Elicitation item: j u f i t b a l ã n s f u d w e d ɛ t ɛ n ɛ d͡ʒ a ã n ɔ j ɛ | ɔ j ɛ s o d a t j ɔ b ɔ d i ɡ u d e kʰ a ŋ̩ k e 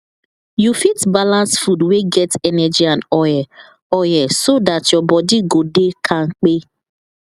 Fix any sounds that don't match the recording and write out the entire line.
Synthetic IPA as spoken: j u f i t b a l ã n s f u d w e ɡ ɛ t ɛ n ɛ d͡ʒ i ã n ɔ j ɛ | ɔ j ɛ s o d a t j ɔ b ɔ d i ɡ o d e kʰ a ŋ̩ k͡p e

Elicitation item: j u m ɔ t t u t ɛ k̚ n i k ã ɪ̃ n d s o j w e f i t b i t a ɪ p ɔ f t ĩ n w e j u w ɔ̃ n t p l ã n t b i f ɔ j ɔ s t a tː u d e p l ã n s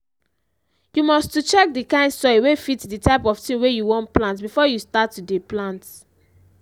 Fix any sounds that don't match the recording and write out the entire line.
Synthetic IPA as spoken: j u m ɔ s t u t͡ʃ ɛ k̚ d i k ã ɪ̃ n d s ɔ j w e f i t d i t a ɪ p ɔ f t ĩ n w e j u w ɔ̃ n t p l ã n t b i f ɔ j u s t a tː u d e p l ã n t

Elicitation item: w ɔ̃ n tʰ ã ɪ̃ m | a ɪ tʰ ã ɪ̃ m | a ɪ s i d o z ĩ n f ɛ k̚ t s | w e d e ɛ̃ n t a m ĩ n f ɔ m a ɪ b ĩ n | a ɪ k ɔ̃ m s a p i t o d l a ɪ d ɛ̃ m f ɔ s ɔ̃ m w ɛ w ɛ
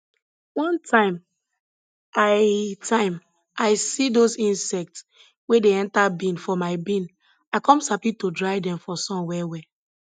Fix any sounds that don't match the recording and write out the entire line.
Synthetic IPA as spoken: w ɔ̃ n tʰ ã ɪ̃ m | a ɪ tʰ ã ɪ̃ m | a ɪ s i d o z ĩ n s ɛ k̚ t s | w e d e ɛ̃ n t a b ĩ n f ɔ m a ɪ b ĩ n | a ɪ k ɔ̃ m s a p i t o d ɹ a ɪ d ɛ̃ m f ɔ s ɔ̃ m w ɛ w ɛ

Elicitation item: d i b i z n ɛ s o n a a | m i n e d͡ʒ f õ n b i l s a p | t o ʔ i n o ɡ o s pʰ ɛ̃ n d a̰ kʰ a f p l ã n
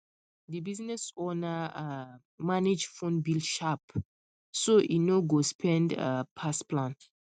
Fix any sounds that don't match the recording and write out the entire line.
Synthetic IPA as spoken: d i b i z n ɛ s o n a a | m a n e d͡ʒ f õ n b i l ʃ a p | s o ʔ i n o ɡ o s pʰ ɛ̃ n d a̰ pʰ a s p l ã n

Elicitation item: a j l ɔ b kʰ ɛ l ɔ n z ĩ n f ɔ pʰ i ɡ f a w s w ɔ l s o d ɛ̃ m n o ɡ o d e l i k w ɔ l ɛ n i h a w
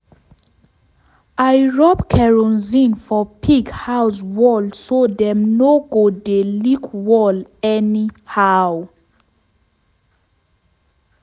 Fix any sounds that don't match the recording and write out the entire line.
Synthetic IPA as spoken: a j ɹ ɔ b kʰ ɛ ɹ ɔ n z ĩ n f ɔ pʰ i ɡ h a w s w ɔ l s o d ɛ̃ m n o ɡ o d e l i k w ɔ l ɛ n i h a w

